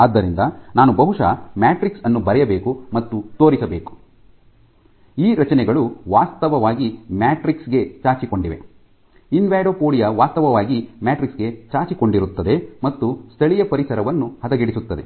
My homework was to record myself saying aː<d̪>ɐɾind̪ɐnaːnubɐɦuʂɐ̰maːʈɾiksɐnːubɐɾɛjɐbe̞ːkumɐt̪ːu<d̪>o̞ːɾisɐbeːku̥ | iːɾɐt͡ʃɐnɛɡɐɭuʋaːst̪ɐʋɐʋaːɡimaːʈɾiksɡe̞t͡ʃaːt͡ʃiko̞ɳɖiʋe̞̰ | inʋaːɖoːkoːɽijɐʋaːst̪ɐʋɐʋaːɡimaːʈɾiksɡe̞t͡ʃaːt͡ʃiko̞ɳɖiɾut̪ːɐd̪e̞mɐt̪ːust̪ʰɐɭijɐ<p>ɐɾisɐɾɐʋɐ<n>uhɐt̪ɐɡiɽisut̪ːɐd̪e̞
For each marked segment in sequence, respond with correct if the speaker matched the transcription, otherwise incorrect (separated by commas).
incorrect, incorrect, correct, incorrect